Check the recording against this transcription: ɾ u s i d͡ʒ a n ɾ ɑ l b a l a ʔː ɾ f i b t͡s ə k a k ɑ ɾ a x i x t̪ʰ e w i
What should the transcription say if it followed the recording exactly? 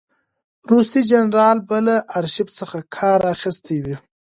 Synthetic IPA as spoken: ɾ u s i d͡ʒ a n ɾ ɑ l b a l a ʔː ɾ ʃ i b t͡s ə x a kʰ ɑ ɾ a x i s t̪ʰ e w i